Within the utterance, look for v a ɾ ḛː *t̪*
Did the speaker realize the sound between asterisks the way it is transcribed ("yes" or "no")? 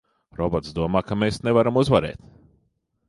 yes